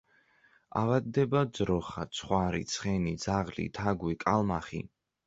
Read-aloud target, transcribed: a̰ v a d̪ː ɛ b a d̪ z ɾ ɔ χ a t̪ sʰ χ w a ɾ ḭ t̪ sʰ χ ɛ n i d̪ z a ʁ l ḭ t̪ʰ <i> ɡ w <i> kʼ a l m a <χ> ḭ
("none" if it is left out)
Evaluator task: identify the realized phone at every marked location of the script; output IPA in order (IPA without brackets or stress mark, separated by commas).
a, i, χ